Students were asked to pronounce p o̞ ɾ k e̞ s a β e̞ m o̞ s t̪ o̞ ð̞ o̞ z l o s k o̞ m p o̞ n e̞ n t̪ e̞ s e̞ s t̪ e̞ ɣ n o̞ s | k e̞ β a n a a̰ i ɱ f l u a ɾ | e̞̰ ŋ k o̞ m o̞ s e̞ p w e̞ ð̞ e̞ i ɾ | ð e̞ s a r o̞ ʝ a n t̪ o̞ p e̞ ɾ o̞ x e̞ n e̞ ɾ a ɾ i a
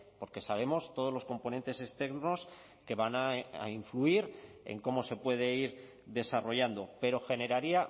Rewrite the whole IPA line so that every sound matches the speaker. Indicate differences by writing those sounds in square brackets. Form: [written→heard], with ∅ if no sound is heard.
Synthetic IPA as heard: p o̞ ɾ k e̞ s a β e̞ m o̞ s t̪ o̞ ð̞ o̞ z l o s k o̞ m p o̞ n e̞ n t̪ e̞ s e̞ s t̪ e̞ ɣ n o̞ s | k e̞ β a n a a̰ i ɱ f l u [a→i] ɾ | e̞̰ ŋ k o̞ m o̞ s e̞ p w e̞ ð̞ e̞ i ɾ | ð e̞ s a r o̞ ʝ a n [t̪→d̪] o̞ p e̞ ɾ o̞ x e̞ n e̞ ɾ a ɾ i a